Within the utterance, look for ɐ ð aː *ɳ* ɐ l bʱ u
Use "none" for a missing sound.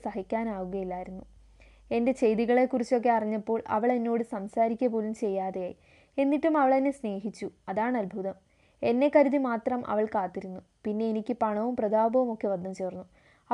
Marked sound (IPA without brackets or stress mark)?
ɳ